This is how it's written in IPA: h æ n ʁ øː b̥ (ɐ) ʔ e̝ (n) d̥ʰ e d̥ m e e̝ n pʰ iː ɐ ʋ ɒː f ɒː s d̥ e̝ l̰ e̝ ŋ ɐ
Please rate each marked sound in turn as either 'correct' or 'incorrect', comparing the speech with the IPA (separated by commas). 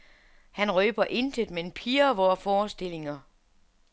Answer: correct, correct